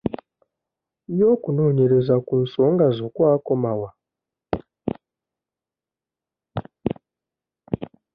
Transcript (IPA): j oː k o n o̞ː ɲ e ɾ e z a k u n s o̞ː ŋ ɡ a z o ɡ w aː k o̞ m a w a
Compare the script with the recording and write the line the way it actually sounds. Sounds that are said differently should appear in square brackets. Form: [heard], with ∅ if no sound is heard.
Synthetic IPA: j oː k [u] n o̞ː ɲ e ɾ e z a k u n s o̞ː ŋ ɡ a z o [k] w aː k o̞ m a w a